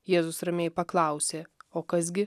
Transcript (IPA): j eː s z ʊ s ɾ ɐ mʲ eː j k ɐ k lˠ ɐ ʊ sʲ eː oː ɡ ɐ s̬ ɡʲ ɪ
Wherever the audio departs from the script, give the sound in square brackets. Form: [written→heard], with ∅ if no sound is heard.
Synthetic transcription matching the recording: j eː [s→∅] z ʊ s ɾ ɐ mʲ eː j [k→p] ɐ k lˠ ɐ ʊ sʲ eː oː [ɡ→k] ɐ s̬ ɡʲ ɪ

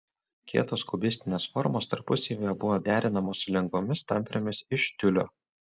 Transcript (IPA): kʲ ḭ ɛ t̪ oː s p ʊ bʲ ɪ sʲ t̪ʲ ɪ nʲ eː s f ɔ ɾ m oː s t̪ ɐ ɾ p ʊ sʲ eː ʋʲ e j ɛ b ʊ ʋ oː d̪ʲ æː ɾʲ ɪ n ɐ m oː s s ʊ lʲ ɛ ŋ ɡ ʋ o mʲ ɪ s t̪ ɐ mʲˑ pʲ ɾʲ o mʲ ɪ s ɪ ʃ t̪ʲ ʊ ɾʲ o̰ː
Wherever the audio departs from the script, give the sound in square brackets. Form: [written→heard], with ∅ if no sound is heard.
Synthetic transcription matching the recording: kʲ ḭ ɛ t̪ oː s [p→k] ʊ bʲ ɪ sʲ t̪ʲ ɪ nʲ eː s f ɔ ɾ m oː s t̪ ɐ ɾ p ʊ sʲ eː ʋʲ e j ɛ b ʊ ʋ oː d̪ʲ æː ɾʲ ɪ n ɐ m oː s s ʊ lʲ ɛ ŋ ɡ ʋ o mʲ ɪ s t̪ ɐ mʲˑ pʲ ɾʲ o mʲ ɪ s ɪ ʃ t̪ʲ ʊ [ɾʲ→lʲ] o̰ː

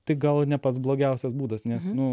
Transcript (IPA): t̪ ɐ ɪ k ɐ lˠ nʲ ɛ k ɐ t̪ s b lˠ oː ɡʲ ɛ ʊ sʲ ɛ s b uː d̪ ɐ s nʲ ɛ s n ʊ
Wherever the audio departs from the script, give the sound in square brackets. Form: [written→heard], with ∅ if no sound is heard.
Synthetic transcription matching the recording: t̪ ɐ ɪ [k→ɡ] ɐ lˠ nʲ ɛ [k→p] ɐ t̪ s b lˠ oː ɡʲ ɛ ʊ sʲ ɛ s b uː d̪ ɐ s nʲ ɛ s n ʊ

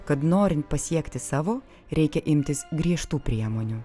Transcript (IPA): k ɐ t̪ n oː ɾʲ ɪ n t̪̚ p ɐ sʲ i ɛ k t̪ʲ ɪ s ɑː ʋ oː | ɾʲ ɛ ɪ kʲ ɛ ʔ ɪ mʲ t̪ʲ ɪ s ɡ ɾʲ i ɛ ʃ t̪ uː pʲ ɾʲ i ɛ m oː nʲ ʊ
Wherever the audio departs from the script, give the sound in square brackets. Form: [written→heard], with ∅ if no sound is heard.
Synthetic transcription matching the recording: k ɐ t̪ n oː ɾʲ ɪ n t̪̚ p ɐ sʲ i ɛ k t̪ʲ ɪ s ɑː ʋ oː | ɾʲ ɛ ɪ kʲ ɛ ʔ ɪ mʲ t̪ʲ ɪ s ɡ ɾʲ i ɛ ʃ t̪ uː pʲ ɾʲ i ɛ m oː nʲ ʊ

